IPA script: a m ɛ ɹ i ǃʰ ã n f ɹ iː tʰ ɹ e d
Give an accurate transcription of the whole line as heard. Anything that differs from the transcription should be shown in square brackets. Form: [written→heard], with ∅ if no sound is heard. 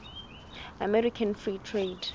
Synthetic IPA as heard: a m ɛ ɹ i [ǃʰ→kʰ] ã n f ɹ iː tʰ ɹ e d